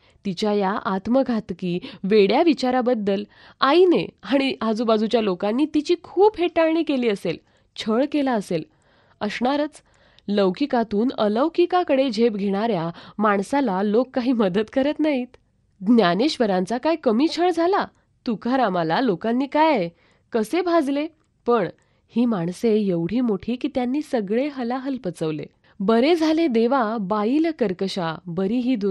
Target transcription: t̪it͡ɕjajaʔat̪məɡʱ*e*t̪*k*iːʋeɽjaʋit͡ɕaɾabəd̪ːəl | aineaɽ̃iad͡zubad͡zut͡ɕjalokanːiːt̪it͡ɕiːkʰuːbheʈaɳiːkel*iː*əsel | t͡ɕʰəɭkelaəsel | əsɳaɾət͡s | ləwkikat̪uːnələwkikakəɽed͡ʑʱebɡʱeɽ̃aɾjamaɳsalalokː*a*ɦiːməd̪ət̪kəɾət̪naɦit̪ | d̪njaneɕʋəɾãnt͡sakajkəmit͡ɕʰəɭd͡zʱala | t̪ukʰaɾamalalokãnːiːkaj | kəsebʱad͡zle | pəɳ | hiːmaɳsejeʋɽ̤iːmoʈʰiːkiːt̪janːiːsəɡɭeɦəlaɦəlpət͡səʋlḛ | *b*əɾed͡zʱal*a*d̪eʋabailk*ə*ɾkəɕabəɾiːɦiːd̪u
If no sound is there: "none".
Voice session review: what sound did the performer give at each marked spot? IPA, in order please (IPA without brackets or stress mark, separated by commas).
a, k, iː, a, b, e, ə